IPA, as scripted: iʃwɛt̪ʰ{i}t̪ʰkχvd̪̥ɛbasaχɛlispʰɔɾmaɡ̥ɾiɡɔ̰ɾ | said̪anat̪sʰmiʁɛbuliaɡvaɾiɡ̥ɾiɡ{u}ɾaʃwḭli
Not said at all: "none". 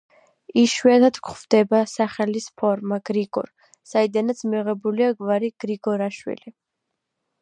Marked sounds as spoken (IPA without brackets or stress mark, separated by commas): a, ɔ